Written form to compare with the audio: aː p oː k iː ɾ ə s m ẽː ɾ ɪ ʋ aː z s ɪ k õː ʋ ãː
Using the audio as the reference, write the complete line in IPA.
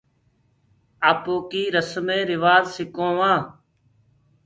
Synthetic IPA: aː p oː k iː ɾ ə s m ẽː ɾ ɪ ʋ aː z s ɪ k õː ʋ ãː

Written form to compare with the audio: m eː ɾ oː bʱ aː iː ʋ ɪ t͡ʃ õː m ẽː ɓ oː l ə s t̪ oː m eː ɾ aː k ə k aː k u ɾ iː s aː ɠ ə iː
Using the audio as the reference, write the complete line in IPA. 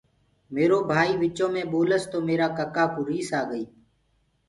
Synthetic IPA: m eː ɾ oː bʱ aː iː ʋ ɪ t͡ʃ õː m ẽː ɓ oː l ə s t̪ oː m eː ɾ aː k ə k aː k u ɾ iː s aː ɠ ə iː

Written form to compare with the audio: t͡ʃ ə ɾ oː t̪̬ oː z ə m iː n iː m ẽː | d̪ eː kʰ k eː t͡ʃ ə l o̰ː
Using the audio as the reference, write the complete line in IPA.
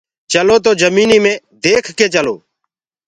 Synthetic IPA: t͡ʃ ə l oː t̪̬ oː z ə m iː n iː m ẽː | d̪ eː kʰ k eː t͡ʃ ə l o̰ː

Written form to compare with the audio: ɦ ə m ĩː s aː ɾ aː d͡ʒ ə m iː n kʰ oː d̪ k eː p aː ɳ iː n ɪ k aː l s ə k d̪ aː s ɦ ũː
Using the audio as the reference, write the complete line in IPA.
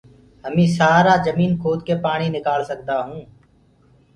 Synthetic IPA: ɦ ə m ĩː s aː ɾ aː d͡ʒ ə m iː n kʰ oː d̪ k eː p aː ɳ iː n ɪ k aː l s ə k d̪ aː ɦ ũː

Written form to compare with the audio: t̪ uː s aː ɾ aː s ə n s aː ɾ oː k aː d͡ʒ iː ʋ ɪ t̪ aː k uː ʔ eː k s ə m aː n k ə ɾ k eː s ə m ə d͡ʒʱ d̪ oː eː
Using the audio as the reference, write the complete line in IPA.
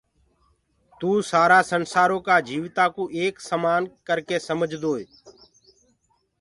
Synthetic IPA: t̪ uː s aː ɾ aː s ə n s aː ɾ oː k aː d͡ʒ iː ʋ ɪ t̪ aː k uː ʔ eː k s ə m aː n k ə ɾ k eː s ə m ə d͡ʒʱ d̪ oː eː

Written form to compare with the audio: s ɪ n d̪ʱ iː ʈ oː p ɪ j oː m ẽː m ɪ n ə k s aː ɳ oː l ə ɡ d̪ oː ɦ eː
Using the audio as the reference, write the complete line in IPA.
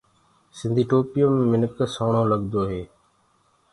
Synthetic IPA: s ɪ n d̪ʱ iː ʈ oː p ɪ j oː m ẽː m ɪ n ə k s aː ɳ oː l ə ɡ d̪ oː ɦ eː

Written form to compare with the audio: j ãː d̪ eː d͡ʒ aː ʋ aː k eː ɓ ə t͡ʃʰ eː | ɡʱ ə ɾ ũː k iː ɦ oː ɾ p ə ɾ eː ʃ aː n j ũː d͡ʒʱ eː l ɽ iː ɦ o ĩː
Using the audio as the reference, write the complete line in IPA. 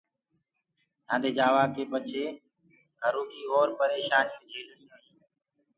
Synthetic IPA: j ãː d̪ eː d͡ʒ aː ʋ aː k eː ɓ ə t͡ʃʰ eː | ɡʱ ə ɾ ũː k iː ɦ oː ɾ p ə ɾ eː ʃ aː n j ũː d͡ʒʱ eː l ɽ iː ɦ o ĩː

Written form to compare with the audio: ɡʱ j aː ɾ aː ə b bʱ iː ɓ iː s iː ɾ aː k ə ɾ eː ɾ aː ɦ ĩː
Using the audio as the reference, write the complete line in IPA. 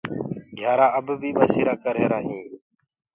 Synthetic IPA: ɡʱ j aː ɾ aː ə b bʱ iː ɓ aː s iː ɾ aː k ə ɾ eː ɾ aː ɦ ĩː

